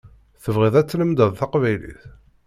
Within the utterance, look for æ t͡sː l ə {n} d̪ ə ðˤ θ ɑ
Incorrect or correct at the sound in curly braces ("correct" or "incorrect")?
incorrect